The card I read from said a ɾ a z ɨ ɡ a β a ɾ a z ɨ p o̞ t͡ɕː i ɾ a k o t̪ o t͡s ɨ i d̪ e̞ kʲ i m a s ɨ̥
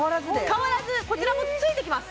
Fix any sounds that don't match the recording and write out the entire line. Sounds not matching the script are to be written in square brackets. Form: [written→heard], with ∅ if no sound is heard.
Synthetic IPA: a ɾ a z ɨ [ɡ→k] a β a ɾ a z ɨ [p→k] o̞ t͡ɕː i ɾ a k o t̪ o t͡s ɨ i [d̪→t̪] e̞ kʲ i m a s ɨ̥